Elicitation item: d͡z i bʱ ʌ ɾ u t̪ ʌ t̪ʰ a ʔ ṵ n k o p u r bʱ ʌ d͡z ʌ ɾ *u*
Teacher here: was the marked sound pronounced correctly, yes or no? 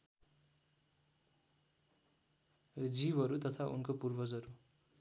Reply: yes